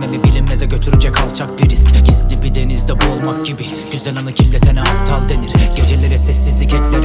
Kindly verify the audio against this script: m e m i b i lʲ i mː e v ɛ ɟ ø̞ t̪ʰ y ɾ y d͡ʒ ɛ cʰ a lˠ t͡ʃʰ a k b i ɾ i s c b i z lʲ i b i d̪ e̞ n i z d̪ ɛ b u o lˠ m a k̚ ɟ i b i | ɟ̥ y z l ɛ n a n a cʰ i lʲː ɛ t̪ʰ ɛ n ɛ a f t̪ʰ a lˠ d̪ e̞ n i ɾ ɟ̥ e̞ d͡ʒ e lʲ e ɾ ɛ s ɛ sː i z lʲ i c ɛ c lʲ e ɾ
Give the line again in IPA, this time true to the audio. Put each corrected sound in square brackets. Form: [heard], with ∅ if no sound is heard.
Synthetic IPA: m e m i b i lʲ i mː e [z] ɛ ɟ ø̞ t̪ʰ y ɾ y d͡ʒ ɛ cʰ a lˠ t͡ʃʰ a k b i ɾ i s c [ɟ] i z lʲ i b i d̪ e̞ n i z d̪ ɛ b u o lˠ m a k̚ ɟ i b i | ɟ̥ y z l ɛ n a n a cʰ i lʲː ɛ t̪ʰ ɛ n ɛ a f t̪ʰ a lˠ d̪ e̞ n i ɾ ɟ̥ e̞ d͡ʒ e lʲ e ɾ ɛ s ɛ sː i z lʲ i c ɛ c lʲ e ɾ